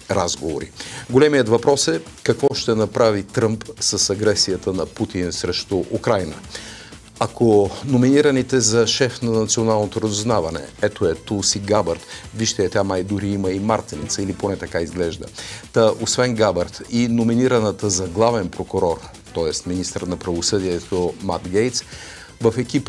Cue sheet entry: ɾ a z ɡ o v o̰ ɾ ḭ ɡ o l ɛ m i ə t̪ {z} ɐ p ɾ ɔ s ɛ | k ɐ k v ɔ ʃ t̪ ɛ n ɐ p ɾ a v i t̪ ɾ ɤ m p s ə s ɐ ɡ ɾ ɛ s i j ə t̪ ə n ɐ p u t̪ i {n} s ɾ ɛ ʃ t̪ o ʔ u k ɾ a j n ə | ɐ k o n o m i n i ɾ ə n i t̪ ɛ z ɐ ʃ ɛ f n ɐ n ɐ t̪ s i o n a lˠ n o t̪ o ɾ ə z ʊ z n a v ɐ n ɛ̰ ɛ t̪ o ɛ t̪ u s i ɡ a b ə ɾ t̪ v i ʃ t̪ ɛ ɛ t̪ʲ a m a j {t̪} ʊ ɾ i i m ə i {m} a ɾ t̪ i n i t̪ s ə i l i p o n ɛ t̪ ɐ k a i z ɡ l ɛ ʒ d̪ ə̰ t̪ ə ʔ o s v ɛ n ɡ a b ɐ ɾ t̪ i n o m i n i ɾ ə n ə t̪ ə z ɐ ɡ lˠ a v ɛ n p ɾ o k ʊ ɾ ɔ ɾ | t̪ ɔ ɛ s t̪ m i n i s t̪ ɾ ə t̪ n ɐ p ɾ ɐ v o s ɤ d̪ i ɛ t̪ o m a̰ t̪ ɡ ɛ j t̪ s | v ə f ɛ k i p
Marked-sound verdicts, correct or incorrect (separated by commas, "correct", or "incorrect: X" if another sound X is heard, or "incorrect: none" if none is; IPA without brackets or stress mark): incorrect: v, correct, incorrect: d̪, correct